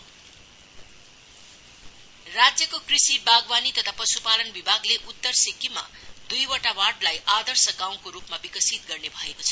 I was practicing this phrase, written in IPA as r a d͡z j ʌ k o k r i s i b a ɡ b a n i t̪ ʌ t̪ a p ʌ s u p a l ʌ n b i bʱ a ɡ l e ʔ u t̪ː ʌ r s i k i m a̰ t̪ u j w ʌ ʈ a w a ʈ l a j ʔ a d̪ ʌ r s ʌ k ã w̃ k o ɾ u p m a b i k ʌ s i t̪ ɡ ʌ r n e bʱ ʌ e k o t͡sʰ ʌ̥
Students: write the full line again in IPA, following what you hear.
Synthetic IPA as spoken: r a d͡z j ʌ k o k r i s i b a ɡ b a n i t̪ ʌ t̪ʰ a p ʌ s u p a l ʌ n b i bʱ a ɡ l e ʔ u t̪ː ʌ r s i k i m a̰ d̪ u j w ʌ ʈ a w a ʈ l a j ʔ a d̪ ʌ r s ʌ ɡ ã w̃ k o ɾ u p m a b i k ʌ s i t̪ ɡ ʌ r n e bʱ ʌ e k o t͡sʰ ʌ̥